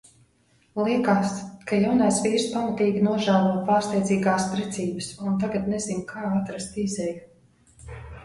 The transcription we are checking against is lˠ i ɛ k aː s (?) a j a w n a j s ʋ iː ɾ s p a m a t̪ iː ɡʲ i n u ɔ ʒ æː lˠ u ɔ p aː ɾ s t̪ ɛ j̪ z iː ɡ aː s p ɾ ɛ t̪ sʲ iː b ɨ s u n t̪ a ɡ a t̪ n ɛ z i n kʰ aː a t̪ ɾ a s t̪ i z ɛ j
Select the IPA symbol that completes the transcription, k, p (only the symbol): k